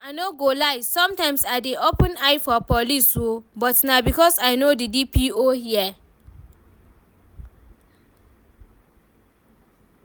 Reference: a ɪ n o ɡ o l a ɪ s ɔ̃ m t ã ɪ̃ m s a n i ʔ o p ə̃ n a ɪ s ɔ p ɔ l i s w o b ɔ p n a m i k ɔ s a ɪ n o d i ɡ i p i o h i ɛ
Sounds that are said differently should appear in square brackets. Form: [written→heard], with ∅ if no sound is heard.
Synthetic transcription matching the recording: a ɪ n o ɡ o l a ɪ s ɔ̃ m t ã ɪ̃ m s a [n→d] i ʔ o p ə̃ n a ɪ [s→f] ɔ p ɔ l i s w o b ɔ [p→t] n a [m→b] i k ɔ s a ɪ n o d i [ɡ→d] i p i o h i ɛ